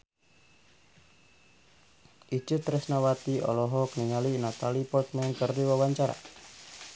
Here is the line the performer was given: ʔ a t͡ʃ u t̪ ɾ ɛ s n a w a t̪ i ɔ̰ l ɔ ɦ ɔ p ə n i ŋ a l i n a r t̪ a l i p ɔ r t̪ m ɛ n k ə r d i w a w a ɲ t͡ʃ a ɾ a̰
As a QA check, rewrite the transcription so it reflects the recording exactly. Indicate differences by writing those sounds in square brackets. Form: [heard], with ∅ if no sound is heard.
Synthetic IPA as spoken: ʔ [i] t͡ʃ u t̪ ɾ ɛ s n a w a t̪ i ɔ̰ l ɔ ɦ ɔ [k] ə n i ŋ a l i n a [∅] t̪ a l i p ɔ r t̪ m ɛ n k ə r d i w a w a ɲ t͡ʃ a ɾ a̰